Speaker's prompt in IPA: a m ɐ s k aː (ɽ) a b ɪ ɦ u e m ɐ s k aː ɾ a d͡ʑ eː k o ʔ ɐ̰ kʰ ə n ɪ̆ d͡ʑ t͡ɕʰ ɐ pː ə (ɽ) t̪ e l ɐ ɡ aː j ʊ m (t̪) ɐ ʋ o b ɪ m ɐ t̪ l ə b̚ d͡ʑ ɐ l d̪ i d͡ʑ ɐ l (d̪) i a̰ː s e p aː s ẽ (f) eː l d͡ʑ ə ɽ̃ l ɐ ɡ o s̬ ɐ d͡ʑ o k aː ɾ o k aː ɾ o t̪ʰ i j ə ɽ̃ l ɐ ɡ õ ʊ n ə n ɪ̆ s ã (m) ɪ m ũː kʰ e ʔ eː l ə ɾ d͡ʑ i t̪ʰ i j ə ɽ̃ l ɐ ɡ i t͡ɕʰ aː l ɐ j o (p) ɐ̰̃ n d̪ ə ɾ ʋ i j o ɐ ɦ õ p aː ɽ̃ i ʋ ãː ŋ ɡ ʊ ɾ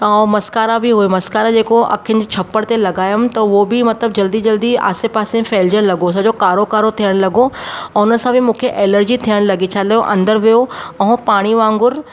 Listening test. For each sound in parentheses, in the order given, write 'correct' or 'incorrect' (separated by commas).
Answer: incorrect, correct, correct, correct, correct, incorrect, incorrect